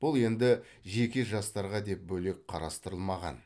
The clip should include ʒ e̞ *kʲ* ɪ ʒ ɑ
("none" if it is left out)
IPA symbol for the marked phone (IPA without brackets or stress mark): kʲ